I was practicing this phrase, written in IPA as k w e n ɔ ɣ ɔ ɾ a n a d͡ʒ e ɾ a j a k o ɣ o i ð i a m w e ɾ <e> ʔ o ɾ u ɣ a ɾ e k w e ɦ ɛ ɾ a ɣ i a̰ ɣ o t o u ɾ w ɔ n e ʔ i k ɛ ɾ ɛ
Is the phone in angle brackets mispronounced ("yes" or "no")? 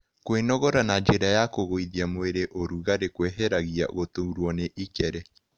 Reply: no